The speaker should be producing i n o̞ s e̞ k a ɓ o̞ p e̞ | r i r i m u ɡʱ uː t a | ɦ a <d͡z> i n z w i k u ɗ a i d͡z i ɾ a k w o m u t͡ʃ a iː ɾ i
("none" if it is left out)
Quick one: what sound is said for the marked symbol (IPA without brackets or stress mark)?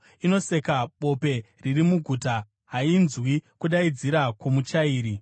none